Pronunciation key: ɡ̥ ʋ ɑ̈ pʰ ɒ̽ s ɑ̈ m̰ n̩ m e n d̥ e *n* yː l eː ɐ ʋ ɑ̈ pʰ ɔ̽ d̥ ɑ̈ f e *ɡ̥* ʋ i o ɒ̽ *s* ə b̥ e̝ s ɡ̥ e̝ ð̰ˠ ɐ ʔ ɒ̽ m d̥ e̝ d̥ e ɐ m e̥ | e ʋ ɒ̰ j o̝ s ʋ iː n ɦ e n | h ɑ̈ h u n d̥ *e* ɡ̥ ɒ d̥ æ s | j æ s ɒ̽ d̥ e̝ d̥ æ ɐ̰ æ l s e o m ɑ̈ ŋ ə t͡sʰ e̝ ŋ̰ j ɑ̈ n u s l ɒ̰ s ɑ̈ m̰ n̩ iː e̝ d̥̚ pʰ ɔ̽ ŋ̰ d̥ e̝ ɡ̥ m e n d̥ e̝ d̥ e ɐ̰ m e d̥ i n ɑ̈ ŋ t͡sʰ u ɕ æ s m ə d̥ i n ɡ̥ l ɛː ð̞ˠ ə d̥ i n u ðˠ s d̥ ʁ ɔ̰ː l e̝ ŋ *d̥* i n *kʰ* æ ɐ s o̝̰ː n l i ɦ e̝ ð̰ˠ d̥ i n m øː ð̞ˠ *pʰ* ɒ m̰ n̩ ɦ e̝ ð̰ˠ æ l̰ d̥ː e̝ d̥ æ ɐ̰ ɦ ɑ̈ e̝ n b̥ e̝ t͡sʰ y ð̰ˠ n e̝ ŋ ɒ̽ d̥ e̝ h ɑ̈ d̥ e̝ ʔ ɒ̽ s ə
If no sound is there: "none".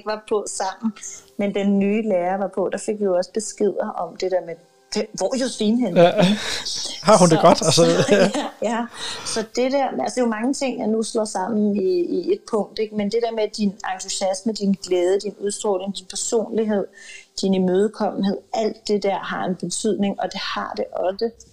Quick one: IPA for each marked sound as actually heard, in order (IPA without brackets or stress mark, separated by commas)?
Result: nː, ɡ̥, s, e, d̥, pʰ, kʰ